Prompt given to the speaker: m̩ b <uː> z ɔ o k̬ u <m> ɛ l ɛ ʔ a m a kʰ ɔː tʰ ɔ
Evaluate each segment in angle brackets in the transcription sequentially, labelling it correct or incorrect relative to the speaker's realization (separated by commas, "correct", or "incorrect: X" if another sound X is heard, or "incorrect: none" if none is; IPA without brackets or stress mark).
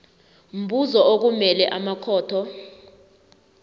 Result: incorrect: u, correct